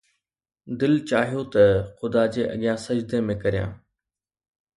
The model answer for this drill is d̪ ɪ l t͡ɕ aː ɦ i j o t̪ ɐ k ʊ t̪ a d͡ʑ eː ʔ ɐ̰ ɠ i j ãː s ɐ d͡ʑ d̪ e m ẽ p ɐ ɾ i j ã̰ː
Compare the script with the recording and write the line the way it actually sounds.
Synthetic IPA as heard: d̪ ɪ l t͡ɕ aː ɦ i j o t̪ ɐ x ʊ d̪ a d͡ʑ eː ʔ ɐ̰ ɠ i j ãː s ɐ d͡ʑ d̪ e m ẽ k ɐ ɾ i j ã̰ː